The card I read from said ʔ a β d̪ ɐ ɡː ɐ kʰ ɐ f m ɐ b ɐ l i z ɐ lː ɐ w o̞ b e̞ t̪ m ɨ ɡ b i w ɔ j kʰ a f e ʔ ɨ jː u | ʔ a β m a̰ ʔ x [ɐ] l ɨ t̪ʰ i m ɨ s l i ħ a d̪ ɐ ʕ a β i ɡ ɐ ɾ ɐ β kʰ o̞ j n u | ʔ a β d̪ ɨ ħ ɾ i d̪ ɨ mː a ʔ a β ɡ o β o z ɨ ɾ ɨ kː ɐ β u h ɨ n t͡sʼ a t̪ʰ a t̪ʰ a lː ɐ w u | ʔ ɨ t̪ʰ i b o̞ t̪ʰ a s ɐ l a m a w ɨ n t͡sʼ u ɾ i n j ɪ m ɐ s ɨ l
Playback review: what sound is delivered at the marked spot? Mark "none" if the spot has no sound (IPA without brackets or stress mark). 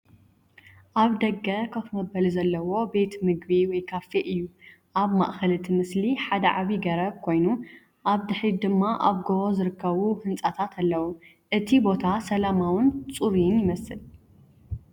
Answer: ɐ